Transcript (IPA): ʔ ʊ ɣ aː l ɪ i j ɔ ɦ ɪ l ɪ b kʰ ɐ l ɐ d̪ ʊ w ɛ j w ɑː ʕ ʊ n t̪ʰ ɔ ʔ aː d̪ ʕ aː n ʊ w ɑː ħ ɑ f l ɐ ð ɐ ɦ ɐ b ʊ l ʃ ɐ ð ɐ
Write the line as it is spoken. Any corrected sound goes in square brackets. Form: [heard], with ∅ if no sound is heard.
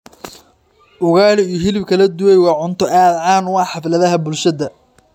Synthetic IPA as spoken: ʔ ʊ ɣ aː l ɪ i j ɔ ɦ ɪ l ɪ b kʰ ɐ l ɐ d̪ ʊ w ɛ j w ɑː ʕ ʊ n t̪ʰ ɔ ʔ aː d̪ ʕ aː n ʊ w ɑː ħ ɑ f l ɐ ð ɐ ɦ ɐ b ʊ l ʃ ɐ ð ɐ